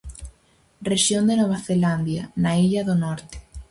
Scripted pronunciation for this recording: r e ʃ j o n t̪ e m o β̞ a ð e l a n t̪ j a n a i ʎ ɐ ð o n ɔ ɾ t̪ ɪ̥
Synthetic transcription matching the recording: r e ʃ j o n d̪ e n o β̞ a θ e l a n d̪ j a n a i ʎ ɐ ð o n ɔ ɾ t̪ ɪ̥